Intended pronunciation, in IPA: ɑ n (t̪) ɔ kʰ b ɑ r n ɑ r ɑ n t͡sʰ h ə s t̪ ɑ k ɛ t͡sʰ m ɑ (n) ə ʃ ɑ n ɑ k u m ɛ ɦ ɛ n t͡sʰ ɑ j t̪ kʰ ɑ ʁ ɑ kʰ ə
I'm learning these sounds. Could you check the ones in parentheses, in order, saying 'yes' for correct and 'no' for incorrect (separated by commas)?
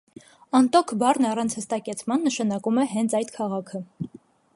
yes, no